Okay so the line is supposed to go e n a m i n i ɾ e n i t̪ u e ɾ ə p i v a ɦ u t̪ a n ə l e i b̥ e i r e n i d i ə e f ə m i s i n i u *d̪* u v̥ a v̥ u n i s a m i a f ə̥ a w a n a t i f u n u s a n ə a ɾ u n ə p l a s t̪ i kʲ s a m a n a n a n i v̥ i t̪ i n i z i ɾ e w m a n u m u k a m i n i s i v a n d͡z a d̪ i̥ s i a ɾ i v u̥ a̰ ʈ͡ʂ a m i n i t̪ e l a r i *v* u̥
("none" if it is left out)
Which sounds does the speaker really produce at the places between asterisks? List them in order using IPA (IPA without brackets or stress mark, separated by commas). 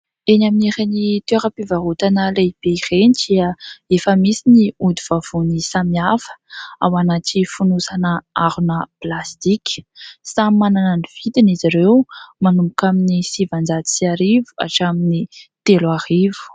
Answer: d̪, v